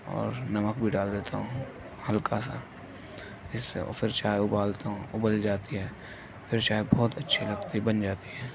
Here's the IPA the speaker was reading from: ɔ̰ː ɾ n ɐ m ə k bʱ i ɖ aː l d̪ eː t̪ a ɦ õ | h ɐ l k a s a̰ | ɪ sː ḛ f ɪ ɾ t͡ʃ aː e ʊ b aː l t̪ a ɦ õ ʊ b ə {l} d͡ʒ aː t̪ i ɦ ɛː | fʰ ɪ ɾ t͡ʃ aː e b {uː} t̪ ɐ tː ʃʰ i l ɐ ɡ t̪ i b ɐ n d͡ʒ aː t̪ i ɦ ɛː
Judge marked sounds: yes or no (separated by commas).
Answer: yes, no